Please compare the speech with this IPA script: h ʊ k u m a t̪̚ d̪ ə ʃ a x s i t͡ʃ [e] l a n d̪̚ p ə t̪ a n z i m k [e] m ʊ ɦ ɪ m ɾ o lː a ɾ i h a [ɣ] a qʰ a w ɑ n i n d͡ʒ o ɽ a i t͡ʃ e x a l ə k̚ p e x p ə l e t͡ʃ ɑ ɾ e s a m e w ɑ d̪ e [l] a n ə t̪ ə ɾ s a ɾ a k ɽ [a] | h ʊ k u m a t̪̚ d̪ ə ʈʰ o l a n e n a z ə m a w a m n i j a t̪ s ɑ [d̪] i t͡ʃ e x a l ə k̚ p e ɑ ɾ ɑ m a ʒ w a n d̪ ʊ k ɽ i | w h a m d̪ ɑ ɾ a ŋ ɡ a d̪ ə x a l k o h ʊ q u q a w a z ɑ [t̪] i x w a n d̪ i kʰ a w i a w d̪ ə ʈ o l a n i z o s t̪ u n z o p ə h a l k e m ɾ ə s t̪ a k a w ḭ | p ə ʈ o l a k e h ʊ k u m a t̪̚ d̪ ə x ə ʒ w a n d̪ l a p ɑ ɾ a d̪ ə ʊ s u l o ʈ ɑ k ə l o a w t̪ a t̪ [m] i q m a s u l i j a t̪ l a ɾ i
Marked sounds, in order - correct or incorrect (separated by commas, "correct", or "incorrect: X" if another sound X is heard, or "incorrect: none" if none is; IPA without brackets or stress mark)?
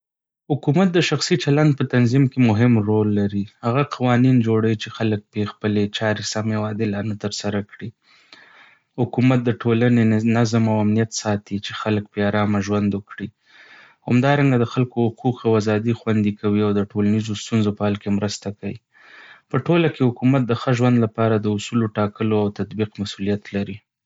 incorrect: a, correct, correct, correct, incorrect: i, incorrect: t̪, incorrect: d̪, incorrect: b